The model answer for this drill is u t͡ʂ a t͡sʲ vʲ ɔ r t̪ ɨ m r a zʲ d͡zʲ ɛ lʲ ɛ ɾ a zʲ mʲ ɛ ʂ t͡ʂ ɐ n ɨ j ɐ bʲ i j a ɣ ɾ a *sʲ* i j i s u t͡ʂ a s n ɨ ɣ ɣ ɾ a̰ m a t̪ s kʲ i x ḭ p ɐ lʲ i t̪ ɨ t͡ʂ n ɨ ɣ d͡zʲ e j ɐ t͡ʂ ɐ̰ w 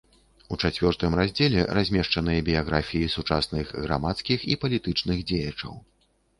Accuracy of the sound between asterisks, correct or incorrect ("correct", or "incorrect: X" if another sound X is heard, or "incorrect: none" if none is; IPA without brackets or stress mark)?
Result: incorrect: fʲ